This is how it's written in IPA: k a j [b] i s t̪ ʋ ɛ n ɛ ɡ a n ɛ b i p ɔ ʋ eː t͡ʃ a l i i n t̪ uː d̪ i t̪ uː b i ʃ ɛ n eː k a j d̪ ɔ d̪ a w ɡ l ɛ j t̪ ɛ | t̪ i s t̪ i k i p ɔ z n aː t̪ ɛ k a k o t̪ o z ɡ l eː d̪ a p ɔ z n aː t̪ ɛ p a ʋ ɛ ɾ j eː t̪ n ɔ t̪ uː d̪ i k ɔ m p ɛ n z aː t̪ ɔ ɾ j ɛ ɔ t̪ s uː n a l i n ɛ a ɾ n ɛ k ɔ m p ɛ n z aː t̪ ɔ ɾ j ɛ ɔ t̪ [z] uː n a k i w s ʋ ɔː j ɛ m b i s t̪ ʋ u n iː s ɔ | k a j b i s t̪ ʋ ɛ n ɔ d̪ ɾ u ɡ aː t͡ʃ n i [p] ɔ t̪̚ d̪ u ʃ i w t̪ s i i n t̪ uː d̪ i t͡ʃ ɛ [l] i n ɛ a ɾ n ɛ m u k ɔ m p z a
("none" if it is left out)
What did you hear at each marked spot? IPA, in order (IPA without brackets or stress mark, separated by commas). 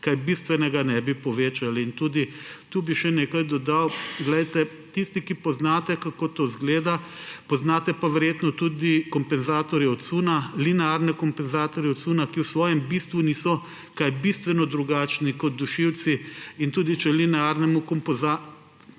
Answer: b, s, k, l